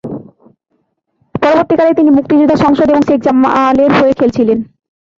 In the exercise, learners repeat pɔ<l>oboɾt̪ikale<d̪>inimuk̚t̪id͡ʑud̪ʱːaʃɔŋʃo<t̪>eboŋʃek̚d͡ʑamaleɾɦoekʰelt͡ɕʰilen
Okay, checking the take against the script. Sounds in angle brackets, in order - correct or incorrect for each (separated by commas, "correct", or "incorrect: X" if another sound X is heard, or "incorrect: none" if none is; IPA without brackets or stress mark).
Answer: incorrect: ɾ, incorrect: t̪, incorrect: d̪